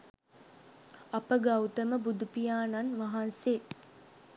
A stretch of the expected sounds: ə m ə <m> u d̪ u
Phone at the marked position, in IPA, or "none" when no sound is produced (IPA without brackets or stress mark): b